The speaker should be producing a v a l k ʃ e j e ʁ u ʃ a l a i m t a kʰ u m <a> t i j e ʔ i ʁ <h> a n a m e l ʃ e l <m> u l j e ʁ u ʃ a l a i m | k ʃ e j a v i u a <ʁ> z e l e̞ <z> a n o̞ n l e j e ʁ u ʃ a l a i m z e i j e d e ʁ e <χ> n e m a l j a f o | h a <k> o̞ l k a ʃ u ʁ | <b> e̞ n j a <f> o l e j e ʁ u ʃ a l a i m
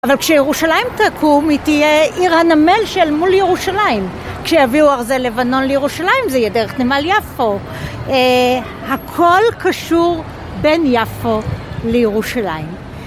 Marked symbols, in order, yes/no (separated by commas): no, yes, yes, yes, no, yes, no, yes, yes